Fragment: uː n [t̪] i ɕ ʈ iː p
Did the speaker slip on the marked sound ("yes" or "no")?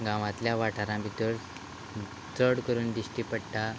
yes